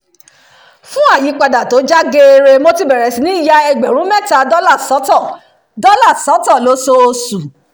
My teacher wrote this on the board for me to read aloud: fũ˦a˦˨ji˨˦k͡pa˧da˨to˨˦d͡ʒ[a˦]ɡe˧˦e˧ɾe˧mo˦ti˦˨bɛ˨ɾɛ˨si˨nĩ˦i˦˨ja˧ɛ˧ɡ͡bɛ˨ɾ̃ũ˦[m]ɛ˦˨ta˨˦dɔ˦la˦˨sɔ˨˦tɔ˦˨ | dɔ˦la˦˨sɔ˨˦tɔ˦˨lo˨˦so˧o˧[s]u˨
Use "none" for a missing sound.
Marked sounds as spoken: a˦, m, s

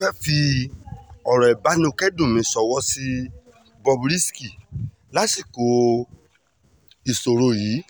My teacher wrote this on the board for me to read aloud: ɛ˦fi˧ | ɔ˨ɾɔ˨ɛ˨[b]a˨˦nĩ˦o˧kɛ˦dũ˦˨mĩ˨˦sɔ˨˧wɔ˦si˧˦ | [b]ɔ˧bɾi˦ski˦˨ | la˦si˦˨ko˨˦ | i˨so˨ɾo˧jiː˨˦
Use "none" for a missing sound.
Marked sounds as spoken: b, b

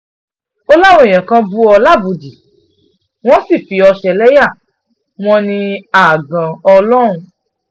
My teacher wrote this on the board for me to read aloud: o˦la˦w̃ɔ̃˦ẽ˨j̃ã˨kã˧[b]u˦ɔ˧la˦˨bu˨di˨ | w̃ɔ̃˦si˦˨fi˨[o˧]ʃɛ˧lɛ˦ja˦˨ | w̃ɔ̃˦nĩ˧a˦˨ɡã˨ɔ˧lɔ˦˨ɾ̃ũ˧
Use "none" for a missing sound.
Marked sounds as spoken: b, ɔ˧

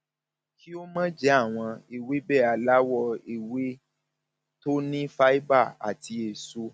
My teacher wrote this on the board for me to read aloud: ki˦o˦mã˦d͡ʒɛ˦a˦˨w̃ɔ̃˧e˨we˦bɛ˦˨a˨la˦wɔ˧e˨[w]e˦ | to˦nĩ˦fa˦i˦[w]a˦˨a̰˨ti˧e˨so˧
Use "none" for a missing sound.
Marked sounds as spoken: w, b

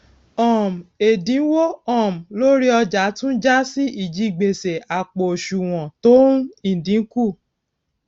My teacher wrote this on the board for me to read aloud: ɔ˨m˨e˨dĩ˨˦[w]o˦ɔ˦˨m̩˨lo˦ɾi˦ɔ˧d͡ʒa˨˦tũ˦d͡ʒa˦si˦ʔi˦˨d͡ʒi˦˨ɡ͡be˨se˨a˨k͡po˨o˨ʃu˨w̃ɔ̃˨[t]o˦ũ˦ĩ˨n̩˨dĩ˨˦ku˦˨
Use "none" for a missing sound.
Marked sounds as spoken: w, t

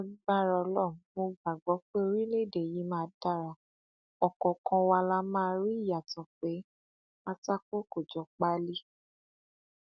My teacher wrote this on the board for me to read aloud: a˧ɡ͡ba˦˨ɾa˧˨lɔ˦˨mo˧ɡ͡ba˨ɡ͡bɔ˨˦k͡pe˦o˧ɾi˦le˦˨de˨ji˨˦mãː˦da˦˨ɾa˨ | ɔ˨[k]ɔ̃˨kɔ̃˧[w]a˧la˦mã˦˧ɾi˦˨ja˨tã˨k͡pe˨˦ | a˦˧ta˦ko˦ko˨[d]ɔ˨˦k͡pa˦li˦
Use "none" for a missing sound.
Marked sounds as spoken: k, w, d͡ʒ

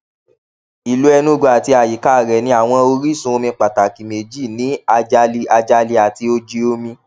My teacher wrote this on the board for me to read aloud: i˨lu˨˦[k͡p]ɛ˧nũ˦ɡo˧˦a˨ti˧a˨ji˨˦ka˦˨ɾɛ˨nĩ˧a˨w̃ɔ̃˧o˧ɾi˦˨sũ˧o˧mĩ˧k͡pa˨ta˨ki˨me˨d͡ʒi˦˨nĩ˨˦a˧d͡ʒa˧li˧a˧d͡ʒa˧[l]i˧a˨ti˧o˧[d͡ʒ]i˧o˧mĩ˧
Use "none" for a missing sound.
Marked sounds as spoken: none, l, d͡ʒ

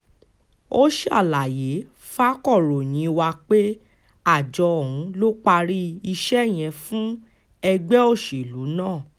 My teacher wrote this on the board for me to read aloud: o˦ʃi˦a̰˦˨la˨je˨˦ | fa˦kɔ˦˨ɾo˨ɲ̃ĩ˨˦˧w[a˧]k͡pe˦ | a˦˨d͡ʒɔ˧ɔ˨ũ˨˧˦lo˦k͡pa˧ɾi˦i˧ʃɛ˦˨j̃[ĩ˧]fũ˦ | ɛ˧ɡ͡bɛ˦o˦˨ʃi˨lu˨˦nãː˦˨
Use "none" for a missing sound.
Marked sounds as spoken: a˧, ɛ̃˧

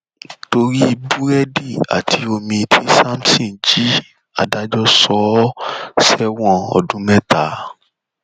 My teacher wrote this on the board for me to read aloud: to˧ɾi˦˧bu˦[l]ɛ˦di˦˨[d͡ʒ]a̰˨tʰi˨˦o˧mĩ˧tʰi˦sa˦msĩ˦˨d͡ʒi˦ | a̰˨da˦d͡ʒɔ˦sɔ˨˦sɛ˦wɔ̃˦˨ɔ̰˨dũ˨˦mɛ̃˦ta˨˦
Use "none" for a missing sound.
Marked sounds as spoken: ɾ, none

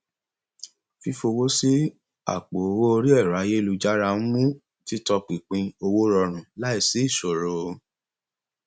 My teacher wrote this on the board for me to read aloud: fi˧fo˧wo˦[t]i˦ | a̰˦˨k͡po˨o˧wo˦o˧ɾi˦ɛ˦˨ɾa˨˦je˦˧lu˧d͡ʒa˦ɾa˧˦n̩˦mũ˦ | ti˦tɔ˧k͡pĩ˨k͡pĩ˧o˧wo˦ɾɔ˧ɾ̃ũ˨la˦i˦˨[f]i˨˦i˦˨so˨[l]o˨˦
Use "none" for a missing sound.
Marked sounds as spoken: s, s, ɾ

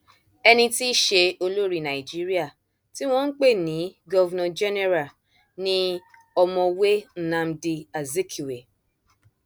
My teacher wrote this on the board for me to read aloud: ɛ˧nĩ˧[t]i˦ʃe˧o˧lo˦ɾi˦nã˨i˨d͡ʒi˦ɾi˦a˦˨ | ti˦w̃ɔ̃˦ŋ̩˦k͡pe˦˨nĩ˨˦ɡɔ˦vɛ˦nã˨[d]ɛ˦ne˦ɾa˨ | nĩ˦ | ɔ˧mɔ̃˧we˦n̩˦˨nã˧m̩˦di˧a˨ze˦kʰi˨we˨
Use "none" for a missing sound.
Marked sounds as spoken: t, d͡ʒ

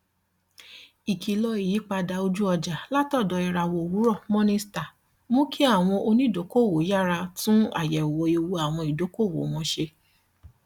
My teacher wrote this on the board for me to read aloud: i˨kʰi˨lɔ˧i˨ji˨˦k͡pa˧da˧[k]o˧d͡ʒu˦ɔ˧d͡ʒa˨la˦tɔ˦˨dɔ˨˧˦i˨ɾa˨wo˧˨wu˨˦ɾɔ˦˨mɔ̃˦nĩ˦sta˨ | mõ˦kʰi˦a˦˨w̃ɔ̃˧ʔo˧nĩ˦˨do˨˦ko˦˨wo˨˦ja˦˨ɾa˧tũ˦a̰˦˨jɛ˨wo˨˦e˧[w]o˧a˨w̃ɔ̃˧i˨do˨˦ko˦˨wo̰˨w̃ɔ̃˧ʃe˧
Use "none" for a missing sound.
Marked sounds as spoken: none, w

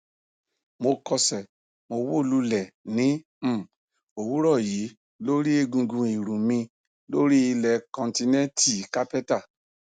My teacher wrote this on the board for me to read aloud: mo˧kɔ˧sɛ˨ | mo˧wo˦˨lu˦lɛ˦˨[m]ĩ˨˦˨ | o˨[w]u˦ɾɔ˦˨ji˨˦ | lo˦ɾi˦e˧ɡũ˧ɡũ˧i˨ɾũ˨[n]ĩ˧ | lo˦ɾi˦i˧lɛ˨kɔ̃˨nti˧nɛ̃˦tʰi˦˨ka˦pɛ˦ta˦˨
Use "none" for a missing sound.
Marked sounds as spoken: n, w, m

